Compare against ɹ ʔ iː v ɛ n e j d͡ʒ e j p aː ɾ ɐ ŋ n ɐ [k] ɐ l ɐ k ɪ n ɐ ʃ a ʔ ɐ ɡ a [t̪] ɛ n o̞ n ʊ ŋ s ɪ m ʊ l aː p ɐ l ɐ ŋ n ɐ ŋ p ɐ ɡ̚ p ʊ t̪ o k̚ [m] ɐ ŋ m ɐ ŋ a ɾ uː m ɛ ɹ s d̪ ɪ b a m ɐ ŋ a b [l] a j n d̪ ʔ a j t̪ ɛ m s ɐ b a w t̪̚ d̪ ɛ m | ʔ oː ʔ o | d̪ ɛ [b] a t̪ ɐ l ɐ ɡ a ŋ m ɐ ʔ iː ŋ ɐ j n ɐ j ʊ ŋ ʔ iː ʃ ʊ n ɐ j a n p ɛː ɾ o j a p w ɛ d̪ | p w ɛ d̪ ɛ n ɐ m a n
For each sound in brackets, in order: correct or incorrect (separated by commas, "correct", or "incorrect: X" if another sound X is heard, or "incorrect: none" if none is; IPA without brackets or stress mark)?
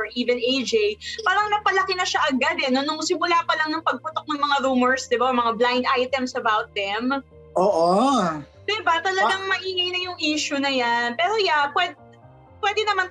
incorrect: p, incorrect: d̪, incorrect: n, correct, correct